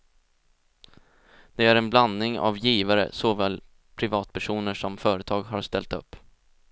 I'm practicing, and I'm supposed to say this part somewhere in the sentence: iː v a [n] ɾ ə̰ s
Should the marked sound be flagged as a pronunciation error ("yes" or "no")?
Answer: yes